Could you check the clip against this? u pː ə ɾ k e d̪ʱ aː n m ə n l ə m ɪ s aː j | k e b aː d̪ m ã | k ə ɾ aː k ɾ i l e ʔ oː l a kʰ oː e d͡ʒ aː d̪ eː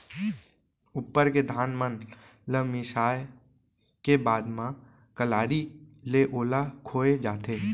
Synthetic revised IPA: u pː ə ɾ k e d̪ʱ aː n m ə n l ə m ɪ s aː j | k e b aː d̪ m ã | k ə l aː ɾ i l e ʔ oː l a kʰ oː e d͡ʒ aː t̪ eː